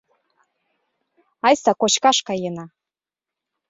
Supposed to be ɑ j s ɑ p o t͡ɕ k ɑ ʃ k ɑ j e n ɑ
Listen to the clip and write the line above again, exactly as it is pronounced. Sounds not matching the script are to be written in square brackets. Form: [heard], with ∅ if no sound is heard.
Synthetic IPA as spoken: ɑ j s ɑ [k] o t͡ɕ k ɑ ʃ k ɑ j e n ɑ